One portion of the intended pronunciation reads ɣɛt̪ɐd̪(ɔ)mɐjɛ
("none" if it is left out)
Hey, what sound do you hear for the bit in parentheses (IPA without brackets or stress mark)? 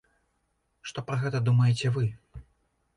u